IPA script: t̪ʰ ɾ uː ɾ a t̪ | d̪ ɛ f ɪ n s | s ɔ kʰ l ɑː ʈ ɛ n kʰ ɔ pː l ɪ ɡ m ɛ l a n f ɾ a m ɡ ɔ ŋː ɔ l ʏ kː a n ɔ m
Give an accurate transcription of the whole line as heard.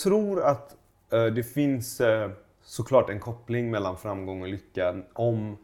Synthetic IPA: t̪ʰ ɾ uː ɾ a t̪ | d̪ ɛ f ɪ n s | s ɔ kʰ l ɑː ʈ ɛ n kʰ ɔ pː l ɪ ŋ m ɛ lː a n f ɾ a m ɡ ɔ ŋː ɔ l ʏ kː a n ɔ m